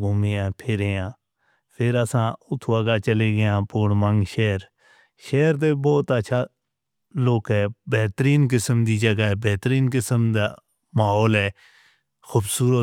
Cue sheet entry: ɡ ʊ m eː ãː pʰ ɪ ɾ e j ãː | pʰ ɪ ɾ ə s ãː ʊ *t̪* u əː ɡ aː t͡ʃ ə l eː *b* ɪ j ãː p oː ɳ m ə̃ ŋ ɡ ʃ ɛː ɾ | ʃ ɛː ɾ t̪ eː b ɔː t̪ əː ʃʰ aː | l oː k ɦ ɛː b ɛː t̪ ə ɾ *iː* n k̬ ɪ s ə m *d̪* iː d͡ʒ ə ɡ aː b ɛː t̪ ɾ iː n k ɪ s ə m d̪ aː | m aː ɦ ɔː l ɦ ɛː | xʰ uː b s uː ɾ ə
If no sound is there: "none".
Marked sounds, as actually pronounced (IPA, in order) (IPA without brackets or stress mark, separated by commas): t̪ʰ, ɡ, iː, d̪